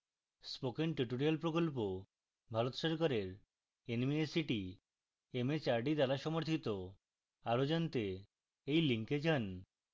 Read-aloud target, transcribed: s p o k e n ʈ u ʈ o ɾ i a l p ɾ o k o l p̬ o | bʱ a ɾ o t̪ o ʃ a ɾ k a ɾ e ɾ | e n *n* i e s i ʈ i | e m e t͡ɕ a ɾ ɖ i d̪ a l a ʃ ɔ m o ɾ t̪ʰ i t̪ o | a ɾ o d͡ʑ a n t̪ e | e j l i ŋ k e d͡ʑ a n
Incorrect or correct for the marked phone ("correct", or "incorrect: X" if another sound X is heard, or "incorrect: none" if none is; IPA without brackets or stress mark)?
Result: incorrect: m